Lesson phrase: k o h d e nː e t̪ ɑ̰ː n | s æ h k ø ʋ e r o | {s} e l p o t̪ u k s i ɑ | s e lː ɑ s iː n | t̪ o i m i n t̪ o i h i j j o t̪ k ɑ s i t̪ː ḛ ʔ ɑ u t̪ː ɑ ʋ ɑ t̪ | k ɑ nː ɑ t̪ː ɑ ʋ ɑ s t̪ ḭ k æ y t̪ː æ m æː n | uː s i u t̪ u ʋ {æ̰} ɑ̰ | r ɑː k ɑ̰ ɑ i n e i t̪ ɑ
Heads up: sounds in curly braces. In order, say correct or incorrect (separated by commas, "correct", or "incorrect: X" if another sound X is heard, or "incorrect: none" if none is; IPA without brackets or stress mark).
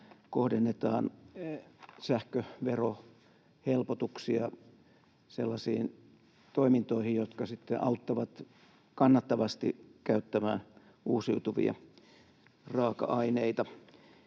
incorrect: h, incorrect: ḭ